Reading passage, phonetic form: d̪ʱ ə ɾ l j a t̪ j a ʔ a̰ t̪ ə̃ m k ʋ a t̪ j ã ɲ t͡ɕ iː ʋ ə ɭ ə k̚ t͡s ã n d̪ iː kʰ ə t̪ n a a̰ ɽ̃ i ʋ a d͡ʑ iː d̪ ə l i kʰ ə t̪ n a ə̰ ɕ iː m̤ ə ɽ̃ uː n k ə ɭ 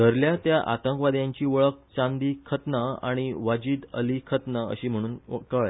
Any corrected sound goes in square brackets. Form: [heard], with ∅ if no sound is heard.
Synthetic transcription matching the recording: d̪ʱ ə ɾ l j a t̪ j a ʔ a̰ t̪ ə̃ [ŋ] k ʋ a [d̪] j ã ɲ t͡ɕ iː ʋ ə ɭ ə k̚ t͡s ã n d̪ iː kʰ ə t̪ n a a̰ ɽ̃ i ʋ a d͡ʑ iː d̪ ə l i kʰ ə t̪ n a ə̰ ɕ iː m̤ ə ɽ̃ uː n k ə ɭ